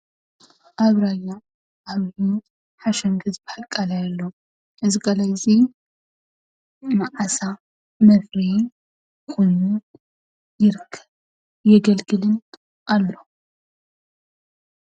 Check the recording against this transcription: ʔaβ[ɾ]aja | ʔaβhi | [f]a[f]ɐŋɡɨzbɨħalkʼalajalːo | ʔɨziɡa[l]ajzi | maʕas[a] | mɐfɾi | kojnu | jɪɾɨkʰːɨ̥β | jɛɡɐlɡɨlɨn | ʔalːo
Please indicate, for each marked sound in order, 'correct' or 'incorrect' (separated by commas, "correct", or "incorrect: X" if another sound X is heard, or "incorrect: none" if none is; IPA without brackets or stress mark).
correct, incorrect: ħ, incorrect: ʃ, correct, correct